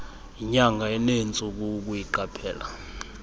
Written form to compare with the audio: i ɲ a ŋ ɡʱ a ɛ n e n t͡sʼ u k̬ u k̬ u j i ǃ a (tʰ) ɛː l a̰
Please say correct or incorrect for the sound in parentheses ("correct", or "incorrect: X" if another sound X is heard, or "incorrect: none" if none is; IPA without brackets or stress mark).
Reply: incorrect: pʰ